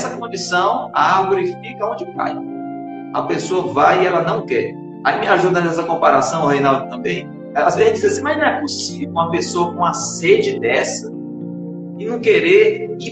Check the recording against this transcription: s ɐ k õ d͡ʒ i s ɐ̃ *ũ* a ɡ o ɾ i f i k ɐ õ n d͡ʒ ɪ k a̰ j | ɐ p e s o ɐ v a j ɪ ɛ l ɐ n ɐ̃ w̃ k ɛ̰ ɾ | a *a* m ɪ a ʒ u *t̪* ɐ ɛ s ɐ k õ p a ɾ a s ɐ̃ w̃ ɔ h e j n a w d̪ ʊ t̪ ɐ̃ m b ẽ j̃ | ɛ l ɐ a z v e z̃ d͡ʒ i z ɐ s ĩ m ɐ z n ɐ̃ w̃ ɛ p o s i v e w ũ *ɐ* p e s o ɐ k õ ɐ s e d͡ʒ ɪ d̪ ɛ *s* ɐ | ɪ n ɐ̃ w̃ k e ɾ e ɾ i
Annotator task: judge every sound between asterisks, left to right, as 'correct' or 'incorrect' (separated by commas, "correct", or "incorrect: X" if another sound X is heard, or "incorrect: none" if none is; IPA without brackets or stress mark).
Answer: incorrect: w̃, incorrect: i, incorrect: d̪, correct, correct